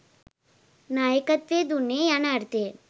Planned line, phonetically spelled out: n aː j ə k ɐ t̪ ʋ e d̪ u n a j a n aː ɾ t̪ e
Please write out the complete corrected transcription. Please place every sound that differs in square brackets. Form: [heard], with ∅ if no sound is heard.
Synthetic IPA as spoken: n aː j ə k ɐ t̪ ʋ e d̪ u n [e] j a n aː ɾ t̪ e